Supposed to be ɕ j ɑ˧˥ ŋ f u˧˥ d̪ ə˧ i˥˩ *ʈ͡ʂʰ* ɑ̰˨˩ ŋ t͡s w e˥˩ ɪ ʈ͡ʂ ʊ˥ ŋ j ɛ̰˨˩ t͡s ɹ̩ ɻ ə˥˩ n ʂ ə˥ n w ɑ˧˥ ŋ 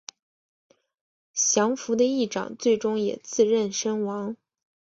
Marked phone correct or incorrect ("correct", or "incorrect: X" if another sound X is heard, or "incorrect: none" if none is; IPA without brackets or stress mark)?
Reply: incorrect: ʈ͡ʂ